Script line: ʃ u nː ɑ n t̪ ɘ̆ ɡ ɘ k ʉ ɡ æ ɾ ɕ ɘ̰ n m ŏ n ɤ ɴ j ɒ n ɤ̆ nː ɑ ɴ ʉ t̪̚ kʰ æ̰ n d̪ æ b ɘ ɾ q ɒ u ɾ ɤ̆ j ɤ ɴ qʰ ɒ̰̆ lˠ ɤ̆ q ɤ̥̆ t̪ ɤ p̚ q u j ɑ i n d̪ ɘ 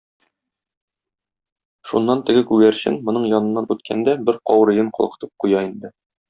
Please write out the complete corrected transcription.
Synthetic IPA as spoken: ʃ u nː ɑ n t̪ ɘ̆ ɡ ɘ k ʉ ɡ æ ɾ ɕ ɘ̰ n m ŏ n ɤ ɴ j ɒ n ɤ̆ nː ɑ n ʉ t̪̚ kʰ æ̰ n d̪ æ b ɘ ɾ q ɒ w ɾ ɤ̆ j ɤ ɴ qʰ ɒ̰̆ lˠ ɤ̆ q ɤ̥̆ t̪ ɤ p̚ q u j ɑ i n d̪ ɘ